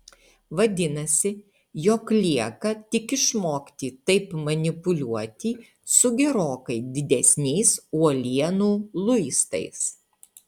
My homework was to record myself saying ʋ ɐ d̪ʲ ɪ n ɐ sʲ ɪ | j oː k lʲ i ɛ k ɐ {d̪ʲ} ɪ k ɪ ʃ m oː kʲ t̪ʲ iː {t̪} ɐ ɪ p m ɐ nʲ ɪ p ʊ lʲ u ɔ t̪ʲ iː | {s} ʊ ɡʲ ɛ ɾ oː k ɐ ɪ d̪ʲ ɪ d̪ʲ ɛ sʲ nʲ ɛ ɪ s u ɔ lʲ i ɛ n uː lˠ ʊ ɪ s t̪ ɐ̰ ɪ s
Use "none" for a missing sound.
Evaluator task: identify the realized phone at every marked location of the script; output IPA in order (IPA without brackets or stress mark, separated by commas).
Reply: t̪ʲ, t̪, s